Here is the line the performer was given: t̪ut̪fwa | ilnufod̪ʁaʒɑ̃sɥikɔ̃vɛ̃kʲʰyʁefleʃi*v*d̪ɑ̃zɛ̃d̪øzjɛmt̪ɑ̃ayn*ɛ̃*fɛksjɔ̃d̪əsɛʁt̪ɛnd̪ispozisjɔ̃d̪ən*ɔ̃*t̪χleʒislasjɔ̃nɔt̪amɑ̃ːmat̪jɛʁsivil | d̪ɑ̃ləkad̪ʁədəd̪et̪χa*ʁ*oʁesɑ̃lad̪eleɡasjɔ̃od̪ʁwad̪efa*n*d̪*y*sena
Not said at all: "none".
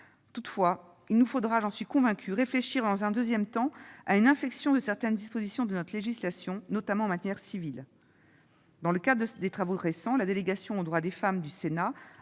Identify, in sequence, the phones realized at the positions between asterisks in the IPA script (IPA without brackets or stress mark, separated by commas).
ʁ, ɛ̃, ɔ, v, m, y